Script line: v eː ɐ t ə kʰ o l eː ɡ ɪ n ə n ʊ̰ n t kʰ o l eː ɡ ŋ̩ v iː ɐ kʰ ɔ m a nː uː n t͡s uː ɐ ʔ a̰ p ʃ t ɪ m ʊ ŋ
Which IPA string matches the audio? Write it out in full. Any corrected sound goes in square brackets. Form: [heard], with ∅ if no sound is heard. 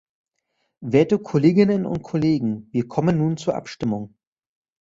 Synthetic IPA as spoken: v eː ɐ t ə kʰ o l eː ɡ ɪ n ə n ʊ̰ n t kʰ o l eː ɡ ŋ̩ v iː ɐ kʰ ɔ m [ə] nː uː n t͡s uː ɐ ʔ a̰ p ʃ t ɪ m ʊ ŋ